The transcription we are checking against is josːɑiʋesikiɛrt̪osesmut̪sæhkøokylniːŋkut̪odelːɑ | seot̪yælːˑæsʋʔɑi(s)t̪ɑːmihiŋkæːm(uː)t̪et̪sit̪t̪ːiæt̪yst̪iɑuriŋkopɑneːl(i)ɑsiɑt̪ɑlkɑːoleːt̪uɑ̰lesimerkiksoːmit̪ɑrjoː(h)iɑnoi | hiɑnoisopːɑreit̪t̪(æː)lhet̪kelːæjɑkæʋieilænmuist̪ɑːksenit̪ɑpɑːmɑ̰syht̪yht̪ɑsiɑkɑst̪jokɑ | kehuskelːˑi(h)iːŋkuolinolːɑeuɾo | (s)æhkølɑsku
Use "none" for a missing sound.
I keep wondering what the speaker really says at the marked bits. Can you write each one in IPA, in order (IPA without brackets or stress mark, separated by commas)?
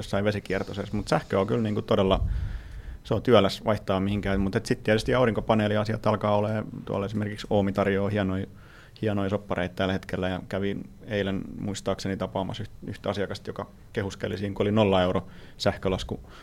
h, u, i, h, æ, s, s